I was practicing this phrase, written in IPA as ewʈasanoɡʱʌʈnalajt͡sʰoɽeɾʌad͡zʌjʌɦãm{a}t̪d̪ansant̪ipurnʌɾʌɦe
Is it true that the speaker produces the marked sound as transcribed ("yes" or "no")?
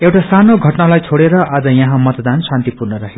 no